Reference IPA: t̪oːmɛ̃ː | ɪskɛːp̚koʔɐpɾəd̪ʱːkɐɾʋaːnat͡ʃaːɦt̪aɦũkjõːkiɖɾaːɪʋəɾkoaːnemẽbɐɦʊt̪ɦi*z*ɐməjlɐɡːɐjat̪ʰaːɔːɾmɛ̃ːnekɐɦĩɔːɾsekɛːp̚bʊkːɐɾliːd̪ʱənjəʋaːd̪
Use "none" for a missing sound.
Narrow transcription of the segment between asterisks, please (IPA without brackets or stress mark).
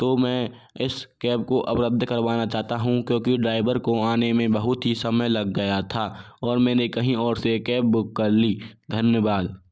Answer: s